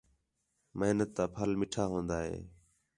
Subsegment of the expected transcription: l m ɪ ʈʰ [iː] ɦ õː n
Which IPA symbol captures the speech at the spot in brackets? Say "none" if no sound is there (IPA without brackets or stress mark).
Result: aː